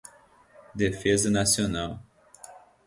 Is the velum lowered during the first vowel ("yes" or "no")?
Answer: no